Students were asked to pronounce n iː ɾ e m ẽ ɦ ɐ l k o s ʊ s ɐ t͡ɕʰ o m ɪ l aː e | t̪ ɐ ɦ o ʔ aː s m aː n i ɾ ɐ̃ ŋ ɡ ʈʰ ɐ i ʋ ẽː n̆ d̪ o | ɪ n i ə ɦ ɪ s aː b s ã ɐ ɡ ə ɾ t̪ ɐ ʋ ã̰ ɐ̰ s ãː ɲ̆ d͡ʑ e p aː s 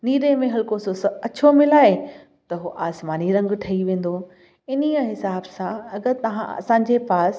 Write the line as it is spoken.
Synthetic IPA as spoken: n iː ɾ e m ẽ ɦ ɐ l k o s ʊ s ɐ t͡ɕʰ o m ɪ l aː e | t̪ ɐ ɦ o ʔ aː s m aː n i ɾ ɐ̃ ŋ ɡ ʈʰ ɐ i ʋ ẽː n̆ d̪ o | ɪ n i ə ɦ ɪ s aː b s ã ɐ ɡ ə ɾ t̪ ɐ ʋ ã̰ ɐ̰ s ãː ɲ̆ d͡ʑ e p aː s